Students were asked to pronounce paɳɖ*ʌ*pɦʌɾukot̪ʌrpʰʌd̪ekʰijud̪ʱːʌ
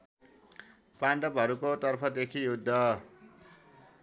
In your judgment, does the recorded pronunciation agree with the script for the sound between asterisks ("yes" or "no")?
yes